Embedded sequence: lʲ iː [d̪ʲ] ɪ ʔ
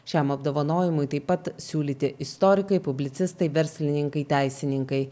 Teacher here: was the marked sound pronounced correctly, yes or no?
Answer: no